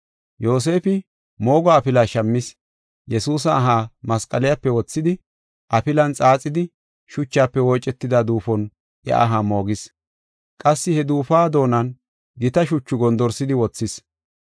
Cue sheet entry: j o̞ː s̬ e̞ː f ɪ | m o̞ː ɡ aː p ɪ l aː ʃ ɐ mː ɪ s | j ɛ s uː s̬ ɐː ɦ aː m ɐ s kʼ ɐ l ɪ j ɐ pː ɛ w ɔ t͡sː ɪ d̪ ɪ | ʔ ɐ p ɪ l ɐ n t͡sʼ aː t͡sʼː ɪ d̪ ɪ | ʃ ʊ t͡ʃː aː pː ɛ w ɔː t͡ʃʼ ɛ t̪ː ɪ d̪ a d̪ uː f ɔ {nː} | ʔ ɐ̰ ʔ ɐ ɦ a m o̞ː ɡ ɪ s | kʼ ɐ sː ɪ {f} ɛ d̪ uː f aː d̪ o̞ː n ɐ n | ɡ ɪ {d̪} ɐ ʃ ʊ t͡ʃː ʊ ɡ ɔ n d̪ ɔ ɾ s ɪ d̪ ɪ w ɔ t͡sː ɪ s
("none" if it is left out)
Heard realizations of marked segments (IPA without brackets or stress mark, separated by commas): n, h, t̪